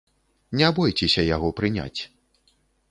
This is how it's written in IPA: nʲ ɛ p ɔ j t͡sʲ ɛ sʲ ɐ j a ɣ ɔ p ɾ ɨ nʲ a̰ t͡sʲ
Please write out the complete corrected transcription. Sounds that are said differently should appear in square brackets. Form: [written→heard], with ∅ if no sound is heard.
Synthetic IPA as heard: nʲ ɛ [p→b] ɔ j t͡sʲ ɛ sʲ ɐ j a ɣ ɔ p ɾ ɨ nʲ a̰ t͡sʲ